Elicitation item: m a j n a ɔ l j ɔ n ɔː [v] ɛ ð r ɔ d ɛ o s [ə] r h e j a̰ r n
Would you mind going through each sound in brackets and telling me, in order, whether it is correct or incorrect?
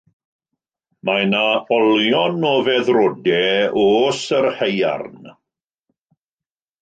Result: correct, correct

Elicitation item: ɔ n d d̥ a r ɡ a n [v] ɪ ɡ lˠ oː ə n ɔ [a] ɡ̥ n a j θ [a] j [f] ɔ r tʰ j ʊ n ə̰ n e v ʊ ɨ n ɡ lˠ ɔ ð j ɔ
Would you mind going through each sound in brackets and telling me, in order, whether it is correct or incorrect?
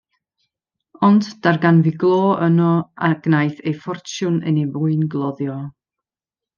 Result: correct, correct, incorrect, correct

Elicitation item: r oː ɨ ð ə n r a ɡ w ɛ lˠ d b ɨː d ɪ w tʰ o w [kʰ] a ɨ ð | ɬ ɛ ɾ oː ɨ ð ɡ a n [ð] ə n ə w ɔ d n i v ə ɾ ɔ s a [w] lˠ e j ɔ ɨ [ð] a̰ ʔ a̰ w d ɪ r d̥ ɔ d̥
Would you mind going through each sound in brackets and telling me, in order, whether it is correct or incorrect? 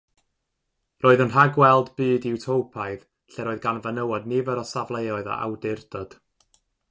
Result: incorrect, incorrect, incorrect, correct

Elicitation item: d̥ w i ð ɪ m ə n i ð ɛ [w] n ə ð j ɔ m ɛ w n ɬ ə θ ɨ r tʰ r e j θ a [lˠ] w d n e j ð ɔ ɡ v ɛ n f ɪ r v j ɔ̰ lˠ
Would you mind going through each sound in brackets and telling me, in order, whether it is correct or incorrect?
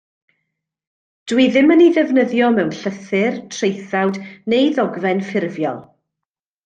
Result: incorrect, incorrect

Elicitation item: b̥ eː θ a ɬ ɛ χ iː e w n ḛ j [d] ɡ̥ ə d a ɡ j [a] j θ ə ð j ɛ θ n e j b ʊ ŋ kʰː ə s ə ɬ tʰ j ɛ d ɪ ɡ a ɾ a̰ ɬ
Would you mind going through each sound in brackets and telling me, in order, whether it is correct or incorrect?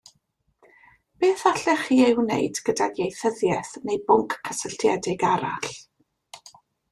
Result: correct, incorrect

